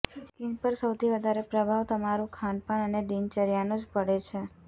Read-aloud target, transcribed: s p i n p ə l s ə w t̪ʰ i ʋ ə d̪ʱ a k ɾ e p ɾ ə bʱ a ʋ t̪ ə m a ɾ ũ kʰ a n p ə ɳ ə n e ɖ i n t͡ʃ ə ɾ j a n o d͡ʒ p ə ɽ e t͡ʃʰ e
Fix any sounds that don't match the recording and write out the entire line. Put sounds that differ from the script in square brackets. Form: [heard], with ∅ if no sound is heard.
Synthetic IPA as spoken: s [k] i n p ə [ɾ] s ə w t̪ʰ i ʋ ə d̪ʱ a [∅] ɾ e p ɾ ə bʱ a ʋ t̪ ə m a ɾ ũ kʰ a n p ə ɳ ə n e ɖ i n t͡ʃ ə ɾ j a n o d͡ʒ p ə ɽ e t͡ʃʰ e